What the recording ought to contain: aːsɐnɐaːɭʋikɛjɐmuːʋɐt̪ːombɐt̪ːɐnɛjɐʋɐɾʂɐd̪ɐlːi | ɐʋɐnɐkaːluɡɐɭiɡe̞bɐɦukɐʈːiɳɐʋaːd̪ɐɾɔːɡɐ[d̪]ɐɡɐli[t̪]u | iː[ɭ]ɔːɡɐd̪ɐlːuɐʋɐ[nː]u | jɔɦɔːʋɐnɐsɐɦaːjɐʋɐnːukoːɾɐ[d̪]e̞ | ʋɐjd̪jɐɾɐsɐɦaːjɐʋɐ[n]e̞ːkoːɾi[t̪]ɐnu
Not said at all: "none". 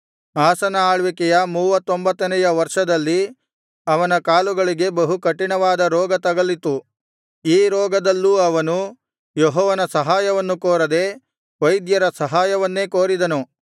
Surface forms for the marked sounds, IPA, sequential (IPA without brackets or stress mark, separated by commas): t̪, t̪, ɾ, n, d̪, nː, d̪